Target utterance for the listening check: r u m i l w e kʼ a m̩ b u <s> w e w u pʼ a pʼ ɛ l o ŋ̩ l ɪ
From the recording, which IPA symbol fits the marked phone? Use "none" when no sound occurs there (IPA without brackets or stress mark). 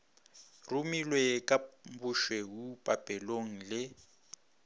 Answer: ʃ